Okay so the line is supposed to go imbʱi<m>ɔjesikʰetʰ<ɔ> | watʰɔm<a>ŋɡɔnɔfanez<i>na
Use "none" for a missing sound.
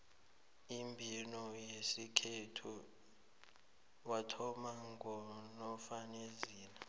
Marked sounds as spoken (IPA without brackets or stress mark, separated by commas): n, u, a, iː